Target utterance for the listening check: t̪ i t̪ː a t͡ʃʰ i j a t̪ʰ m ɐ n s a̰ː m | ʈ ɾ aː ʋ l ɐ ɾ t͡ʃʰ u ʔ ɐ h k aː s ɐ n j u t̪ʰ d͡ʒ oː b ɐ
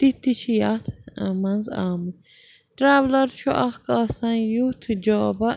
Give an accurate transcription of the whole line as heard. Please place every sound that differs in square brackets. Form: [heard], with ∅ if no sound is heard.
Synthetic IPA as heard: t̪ i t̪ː [i] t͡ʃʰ i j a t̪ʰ m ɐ n [z] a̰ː m | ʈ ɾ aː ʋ l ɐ ɾ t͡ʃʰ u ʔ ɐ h k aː s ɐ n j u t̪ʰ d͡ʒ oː b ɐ